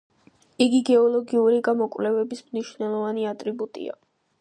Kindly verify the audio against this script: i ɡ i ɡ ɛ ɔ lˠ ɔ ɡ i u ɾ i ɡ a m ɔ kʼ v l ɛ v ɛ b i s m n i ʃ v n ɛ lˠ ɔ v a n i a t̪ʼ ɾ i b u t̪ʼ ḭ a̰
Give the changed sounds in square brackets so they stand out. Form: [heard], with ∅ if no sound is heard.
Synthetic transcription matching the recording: i ɡ i ɡ ɛ ɔ lˠ ɔ ɡ i u ɾ i ɡ a m ɔ kʼ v l ɛ v ɛ b i s m n i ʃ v n ɛ lˠ ɔ v a n i a t̪ʼ ɾ i b u t̪ʼ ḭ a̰